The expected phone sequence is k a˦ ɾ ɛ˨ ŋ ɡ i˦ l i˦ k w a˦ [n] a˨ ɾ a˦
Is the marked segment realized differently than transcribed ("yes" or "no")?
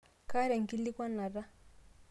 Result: no